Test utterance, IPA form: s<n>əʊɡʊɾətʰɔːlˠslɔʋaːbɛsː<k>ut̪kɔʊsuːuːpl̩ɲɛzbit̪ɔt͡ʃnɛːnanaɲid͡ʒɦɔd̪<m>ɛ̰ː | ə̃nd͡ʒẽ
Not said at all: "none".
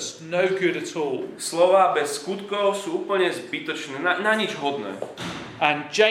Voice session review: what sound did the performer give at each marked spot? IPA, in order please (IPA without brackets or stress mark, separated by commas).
n, k, n